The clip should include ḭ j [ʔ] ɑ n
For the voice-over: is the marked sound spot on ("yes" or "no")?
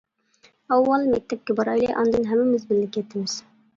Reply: yes